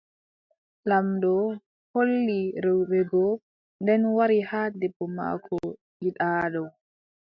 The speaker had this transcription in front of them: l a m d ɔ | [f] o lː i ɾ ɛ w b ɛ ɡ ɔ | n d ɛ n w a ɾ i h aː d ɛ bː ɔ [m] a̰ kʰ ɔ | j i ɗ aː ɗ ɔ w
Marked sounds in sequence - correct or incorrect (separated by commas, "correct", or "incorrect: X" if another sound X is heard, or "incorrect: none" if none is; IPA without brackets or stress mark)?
incorrect: h, correct